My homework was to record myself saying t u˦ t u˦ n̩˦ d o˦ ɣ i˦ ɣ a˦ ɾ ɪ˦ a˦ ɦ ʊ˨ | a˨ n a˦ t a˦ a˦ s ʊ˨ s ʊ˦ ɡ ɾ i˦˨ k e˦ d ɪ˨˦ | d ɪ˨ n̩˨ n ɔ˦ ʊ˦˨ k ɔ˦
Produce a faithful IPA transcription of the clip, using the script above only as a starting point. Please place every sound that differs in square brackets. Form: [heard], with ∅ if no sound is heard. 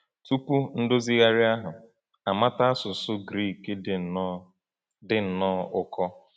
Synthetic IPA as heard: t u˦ [p] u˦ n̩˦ d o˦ [z] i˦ ɣ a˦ ɾ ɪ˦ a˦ ɦ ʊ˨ | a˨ [m] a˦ t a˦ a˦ s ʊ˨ s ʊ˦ ɡ ɾ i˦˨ k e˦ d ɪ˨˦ | d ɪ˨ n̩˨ n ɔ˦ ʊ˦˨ k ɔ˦